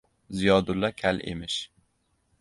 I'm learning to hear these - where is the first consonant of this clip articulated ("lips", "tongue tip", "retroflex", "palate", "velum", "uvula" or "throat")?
tongue tip